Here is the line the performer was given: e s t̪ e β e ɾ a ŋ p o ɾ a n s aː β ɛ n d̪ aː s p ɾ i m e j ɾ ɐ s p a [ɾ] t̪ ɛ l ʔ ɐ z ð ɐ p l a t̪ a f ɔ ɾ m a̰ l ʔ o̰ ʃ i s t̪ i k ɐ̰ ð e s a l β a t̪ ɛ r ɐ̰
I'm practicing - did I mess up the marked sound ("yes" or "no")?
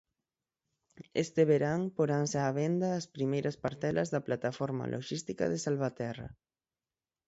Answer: no